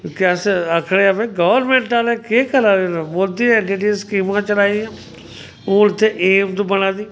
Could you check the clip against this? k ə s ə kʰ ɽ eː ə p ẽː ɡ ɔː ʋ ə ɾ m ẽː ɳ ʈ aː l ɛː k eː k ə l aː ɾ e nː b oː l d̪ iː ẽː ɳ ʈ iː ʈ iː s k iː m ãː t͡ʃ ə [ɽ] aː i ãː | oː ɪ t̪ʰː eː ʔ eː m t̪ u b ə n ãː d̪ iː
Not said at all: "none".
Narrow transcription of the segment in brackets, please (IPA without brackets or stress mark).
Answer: l